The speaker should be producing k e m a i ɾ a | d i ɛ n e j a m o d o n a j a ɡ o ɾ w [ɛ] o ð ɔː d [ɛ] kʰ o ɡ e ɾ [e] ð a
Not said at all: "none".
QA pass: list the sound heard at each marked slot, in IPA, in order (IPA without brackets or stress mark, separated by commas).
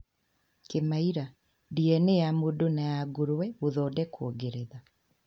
ɛ, ɛ, e